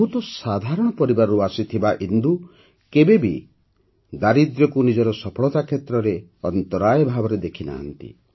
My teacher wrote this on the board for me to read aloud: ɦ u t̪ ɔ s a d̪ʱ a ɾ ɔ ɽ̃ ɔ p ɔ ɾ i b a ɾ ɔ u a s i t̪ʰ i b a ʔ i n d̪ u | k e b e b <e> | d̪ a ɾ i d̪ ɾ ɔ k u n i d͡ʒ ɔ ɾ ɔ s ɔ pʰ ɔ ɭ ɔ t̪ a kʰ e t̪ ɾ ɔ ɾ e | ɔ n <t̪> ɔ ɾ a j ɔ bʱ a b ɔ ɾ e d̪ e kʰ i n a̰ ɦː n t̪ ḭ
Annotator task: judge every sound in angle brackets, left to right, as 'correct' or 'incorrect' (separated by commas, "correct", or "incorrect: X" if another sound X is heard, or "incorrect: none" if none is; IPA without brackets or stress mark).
incorrect: i, correct